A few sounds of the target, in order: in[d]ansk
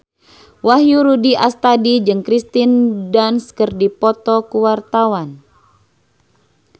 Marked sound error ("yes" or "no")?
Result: no